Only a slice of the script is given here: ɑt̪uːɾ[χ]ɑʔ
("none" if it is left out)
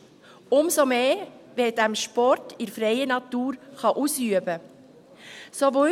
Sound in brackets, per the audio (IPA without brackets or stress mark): χ